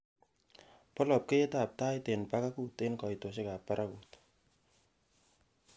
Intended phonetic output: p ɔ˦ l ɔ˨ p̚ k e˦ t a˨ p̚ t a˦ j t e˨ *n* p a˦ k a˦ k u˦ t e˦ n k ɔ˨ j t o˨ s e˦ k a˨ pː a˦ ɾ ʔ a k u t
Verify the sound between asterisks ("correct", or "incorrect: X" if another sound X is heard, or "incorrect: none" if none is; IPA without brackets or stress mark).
correct